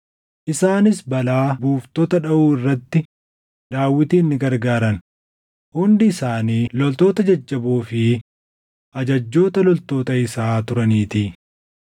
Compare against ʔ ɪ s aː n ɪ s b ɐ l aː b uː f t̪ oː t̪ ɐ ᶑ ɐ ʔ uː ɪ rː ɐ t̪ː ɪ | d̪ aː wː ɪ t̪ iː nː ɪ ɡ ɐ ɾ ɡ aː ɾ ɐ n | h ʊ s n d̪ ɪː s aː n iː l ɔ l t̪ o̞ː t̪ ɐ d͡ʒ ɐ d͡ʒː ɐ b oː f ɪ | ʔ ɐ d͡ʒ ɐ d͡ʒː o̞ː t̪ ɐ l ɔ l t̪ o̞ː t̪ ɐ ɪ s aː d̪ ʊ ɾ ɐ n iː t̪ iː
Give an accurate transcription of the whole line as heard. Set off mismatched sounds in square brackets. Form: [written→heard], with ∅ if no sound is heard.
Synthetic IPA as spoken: ʔ ɪ s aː n ɪ s b ɐ l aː b uː f t̪ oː t̪ ɐ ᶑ ɐ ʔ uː ɪ rː ɐ t̪ː ɪ | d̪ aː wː ɪ t̪ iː nː ɪ ɡ ɐ ɾ ɡ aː ɾ ɐ n | h ʊ [s→∅] n d̪ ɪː s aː n iː l ɔ l t̪ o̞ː t̪ ɐ d͡ʒ ɐ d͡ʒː ɐ b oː f ɪ | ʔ ɐ d͡ʒ ɐ d͡ʒː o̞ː t̪ ɐ l ɔ l t̪ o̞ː t̪ ɐ ɪ s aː [d̪→t̪] ʊ ɾ ɐ n iː t̪ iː

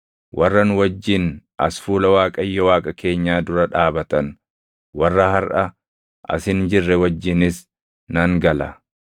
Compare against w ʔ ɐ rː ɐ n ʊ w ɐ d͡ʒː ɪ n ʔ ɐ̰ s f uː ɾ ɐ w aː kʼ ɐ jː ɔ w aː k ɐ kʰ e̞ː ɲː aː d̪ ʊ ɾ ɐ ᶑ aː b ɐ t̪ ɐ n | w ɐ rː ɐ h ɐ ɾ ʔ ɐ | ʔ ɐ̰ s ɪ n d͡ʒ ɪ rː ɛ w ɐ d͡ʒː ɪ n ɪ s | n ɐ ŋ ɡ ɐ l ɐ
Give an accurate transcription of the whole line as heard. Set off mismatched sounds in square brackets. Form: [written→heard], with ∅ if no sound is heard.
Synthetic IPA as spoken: w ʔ ɐ rː ɐ n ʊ w ɐ d͡ʒː ɪ n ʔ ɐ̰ s f uː [ɾ→l] ɐ w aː kʼ ɐ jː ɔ w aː [k→kʼ] ɐ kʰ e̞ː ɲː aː d̪ ʊ ɾ ɐ ᶑ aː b ɐ t̪ ɐ n | w ɐ rː ɐ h ɐ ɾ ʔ ɐ | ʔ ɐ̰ s ɪ n d͡ʒ ɪ rː ɛ w ɐ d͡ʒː ɪ n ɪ s | n ɐ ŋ ɡ ɐ l ɐ

